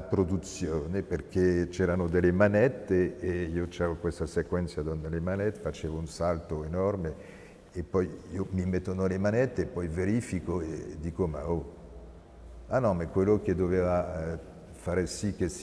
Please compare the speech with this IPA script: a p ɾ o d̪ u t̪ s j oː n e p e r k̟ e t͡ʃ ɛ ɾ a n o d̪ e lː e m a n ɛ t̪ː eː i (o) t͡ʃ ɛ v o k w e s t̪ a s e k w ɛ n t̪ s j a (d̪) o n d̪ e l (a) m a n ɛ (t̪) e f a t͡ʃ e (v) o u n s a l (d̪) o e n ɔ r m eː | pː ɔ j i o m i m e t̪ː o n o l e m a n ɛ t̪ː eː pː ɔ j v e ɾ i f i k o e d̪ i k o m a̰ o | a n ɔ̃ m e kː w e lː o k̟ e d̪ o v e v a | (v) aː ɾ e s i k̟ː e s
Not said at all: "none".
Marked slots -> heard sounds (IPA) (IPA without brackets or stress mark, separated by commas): o, d̪, e, t̪, v, t̪, f